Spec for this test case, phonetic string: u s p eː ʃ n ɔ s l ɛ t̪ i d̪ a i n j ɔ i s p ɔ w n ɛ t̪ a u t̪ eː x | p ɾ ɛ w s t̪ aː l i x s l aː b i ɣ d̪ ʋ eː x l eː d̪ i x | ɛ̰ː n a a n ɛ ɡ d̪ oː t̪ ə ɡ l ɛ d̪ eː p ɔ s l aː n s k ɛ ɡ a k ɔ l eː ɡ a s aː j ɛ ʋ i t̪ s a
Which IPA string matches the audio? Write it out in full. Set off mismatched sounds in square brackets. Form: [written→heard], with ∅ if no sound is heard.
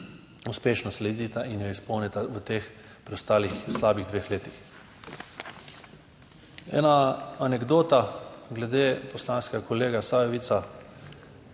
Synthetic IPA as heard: u s p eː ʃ n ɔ s l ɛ [t̪→d̪] i [d̪→t̪] a i n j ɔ i s p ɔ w n ɛ t̪ a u t̪ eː x | p ɾ ɛ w s t̪ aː l i x s l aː b i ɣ d̪ ʋ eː x l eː [d̪→t̪] i x | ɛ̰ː n a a n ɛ ɡ d̪ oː t̪ [ə→a] ɡ l ɛ d̪ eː p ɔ s l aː n s k ɛ ɡ a k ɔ l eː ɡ a s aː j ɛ ʋ i t̪ s a